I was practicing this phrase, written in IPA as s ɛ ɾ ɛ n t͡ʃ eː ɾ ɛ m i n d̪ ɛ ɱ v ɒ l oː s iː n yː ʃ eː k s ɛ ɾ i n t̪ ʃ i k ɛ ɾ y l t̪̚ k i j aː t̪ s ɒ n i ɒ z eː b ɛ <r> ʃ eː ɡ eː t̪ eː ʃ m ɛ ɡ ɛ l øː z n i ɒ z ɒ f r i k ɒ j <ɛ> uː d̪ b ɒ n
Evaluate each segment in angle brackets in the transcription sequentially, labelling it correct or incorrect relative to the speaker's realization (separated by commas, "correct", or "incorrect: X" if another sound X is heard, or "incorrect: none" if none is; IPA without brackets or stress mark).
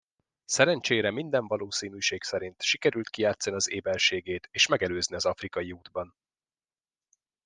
incorrect: l, incorrect: i